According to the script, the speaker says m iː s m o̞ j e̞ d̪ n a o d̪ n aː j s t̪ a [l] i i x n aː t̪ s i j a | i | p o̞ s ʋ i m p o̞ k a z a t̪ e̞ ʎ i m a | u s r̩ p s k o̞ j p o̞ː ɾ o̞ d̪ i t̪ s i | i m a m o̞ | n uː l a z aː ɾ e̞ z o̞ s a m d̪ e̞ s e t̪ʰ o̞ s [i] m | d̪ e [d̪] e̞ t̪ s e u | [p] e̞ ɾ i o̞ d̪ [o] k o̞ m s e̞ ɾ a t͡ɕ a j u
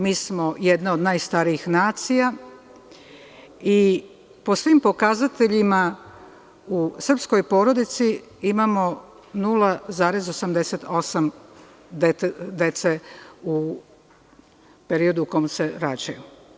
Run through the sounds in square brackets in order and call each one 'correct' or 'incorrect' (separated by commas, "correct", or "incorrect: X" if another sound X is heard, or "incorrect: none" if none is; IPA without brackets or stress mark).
incorrect: ɾ, incorrect: a, correct, correct, incorrect: u